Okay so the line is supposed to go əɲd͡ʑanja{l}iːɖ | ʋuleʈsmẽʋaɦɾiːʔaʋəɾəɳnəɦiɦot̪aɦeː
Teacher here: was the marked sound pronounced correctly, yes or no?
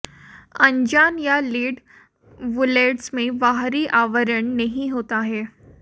yes